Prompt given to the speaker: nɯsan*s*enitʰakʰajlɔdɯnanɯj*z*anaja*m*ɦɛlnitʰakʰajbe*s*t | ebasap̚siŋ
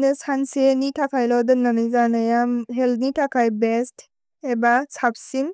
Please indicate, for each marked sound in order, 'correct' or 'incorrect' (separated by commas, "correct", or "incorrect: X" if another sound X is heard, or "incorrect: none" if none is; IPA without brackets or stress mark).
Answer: correct, correct, correct, correct